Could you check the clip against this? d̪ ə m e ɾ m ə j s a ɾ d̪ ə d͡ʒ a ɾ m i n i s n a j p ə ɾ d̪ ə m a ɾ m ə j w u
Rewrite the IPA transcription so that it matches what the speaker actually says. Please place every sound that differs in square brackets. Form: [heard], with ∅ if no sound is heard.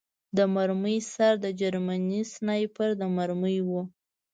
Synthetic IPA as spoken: d̪ ə m [a] ɾ m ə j s a ɾ d̪ ə d͡ʒ a ɾ m [a] n i s n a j p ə ɾ d̪ ə m a ɾ m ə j w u